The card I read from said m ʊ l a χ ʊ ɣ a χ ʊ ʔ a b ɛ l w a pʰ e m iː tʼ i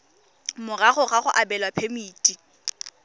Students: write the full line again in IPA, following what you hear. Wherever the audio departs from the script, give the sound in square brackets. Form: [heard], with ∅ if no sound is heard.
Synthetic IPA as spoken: m ʊ [r] a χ ʊ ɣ a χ ʊ ʔ a b ɛ l w a pʰ e m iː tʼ i